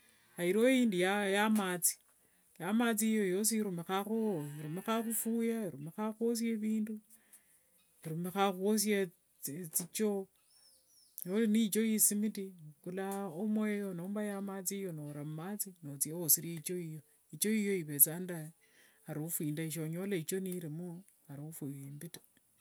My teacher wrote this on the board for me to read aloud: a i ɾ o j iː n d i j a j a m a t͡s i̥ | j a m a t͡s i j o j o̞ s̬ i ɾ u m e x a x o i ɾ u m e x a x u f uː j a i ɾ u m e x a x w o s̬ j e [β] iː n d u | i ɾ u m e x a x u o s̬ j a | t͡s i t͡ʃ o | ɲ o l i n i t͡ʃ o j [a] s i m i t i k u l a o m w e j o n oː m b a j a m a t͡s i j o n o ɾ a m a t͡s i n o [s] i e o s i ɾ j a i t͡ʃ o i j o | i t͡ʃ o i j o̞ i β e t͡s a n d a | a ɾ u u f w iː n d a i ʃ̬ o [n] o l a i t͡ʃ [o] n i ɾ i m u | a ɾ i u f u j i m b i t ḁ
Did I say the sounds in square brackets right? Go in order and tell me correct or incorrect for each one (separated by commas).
correct, incorrect, incorrect, incorrect, correct